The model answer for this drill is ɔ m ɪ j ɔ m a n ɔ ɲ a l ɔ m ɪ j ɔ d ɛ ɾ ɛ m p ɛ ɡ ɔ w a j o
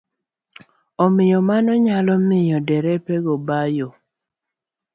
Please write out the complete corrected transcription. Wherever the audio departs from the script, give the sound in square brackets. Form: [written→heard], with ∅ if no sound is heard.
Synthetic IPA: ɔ m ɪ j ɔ m a n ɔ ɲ a l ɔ m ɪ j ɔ d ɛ ɾ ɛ [m→∅] p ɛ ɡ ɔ [w→b] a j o